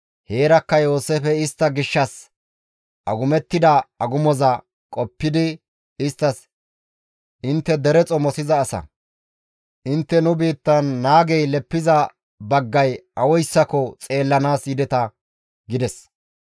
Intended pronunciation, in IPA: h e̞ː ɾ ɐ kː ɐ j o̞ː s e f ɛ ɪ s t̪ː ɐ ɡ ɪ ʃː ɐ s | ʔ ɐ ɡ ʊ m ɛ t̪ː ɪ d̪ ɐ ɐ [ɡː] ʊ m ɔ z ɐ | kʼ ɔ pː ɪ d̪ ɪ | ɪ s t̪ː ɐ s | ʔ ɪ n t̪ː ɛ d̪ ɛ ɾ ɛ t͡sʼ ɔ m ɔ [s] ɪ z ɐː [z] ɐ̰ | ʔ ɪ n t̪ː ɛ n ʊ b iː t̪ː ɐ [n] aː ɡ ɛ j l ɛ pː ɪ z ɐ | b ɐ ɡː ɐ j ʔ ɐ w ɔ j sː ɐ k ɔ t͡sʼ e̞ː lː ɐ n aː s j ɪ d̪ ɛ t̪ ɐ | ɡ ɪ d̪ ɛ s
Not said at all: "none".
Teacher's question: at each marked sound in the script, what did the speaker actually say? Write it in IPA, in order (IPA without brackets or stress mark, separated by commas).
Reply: ɡ, s, s, nː